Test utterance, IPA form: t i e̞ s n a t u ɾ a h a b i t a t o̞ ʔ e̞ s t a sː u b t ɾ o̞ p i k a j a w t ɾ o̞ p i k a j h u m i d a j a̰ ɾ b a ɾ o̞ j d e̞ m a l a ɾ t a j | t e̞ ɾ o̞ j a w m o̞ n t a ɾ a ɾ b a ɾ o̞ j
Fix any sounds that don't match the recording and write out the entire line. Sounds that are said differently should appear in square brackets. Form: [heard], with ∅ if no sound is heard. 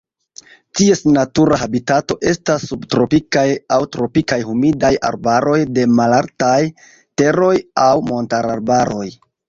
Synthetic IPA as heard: t i e̞ s n a t u ɾ a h a b i t a t o̞ ʔ e̞ s t a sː u b t ɾ o̞ p i k a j a w t ɾ o̞ p i k a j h u m i d a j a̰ ɾ b a ɾ o̞ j d e̞ m a l a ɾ t a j | t e̞ ɾ o̞ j a w m o̞ n t a ɾ a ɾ b a ɾ o̞ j